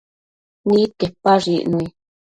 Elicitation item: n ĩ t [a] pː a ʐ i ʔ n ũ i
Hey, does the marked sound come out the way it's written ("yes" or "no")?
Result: no